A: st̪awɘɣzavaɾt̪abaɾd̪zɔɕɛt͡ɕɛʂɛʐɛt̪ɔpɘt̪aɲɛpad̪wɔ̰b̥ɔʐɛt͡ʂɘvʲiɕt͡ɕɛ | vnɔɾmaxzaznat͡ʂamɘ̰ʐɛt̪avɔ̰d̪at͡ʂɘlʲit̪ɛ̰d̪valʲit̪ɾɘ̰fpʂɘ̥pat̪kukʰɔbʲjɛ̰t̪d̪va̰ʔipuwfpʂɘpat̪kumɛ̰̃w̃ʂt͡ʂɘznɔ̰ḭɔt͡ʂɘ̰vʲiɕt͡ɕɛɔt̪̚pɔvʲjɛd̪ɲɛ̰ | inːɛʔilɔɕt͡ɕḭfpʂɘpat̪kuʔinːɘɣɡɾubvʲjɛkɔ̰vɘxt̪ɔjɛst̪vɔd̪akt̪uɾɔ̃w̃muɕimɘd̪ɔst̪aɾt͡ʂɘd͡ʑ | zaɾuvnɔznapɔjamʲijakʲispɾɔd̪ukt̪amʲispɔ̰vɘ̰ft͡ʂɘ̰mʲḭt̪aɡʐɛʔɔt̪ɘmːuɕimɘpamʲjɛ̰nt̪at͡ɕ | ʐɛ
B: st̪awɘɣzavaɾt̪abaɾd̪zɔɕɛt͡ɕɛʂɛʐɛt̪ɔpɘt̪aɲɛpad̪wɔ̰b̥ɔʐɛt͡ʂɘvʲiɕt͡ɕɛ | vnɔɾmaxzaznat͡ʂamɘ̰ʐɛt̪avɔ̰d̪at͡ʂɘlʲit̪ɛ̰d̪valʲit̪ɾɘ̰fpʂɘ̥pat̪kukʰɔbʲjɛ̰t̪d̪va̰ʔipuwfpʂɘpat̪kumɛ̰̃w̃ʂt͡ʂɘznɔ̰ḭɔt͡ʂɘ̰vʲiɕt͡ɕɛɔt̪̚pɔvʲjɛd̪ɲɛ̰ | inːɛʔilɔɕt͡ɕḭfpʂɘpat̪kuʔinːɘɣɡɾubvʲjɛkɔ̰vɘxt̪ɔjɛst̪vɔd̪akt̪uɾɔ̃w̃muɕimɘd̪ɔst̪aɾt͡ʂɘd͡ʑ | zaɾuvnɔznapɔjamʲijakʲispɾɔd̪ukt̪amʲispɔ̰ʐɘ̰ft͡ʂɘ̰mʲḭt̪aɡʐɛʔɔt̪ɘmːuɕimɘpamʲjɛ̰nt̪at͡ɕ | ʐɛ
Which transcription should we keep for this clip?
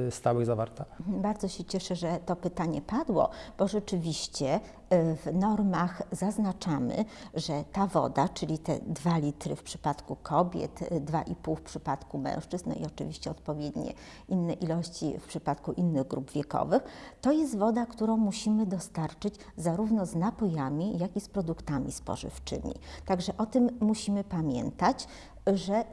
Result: B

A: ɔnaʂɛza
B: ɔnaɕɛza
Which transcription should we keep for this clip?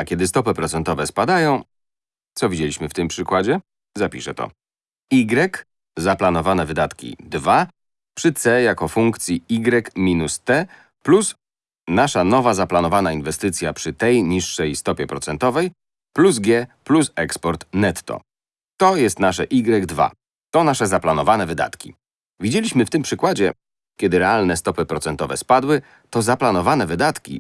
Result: A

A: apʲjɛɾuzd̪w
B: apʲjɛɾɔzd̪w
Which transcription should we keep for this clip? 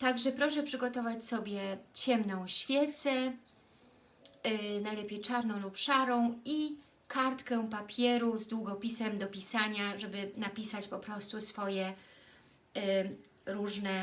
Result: A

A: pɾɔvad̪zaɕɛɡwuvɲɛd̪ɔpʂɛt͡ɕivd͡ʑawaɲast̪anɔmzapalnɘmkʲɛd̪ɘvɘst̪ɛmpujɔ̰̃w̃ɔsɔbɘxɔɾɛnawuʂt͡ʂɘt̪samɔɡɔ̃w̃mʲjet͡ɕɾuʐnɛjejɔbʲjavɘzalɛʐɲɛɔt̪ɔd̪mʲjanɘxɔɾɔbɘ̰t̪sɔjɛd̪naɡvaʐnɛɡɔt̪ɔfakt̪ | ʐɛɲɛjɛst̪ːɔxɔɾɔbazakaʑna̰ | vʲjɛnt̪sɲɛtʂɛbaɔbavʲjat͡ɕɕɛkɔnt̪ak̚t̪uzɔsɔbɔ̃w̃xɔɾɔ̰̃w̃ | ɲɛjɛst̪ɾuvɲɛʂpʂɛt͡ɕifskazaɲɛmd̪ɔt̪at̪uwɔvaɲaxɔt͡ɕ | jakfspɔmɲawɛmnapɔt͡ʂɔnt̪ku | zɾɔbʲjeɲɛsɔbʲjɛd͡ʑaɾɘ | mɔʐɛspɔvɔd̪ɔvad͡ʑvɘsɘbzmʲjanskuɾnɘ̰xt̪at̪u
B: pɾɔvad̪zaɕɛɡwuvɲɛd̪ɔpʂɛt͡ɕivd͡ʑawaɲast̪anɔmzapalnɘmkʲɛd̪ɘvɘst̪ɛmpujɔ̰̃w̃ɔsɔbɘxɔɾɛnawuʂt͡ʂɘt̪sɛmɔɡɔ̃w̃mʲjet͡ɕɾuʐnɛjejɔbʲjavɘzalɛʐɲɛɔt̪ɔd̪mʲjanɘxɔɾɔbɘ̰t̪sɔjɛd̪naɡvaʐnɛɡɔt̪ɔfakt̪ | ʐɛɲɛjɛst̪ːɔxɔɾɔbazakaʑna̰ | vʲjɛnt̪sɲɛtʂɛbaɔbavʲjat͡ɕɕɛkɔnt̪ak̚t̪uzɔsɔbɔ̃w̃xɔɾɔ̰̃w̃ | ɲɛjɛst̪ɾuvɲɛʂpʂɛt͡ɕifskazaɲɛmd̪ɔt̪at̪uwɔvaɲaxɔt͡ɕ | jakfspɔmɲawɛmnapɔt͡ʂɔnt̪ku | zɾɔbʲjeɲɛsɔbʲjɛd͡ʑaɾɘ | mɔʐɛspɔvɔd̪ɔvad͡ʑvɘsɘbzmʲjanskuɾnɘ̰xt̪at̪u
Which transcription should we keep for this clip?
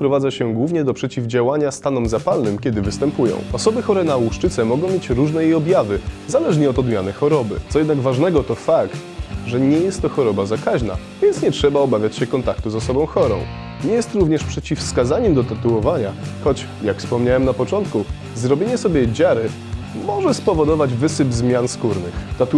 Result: B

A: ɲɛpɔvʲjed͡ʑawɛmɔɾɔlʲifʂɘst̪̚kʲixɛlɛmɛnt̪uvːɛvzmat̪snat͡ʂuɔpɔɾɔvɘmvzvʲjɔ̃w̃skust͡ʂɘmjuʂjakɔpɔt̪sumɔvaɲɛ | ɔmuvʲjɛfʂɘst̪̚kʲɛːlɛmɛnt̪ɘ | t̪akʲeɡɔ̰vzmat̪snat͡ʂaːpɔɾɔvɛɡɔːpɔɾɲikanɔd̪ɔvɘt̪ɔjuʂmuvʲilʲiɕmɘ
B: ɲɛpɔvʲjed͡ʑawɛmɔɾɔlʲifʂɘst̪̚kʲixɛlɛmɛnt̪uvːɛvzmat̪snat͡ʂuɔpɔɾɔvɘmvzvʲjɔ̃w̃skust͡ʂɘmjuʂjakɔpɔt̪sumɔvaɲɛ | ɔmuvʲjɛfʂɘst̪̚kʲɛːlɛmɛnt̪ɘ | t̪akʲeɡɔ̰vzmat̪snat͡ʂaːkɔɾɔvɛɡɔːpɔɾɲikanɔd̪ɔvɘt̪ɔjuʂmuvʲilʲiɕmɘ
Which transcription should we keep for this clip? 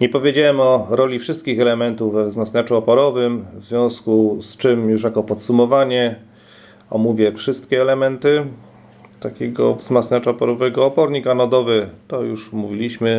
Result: A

